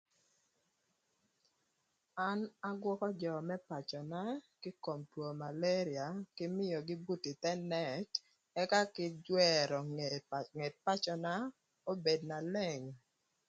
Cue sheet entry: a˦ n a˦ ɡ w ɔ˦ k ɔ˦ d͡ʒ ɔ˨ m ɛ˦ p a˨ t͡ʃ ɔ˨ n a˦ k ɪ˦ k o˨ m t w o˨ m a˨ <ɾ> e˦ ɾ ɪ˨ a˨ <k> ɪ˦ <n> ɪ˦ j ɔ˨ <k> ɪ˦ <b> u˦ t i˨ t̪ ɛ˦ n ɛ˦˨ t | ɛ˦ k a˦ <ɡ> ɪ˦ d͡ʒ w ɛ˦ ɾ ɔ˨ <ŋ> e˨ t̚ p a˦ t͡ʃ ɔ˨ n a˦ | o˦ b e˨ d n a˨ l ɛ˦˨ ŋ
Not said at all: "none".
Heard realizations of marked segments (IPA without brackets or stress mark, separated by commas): l, k, m, ɡ, b, k, ŋ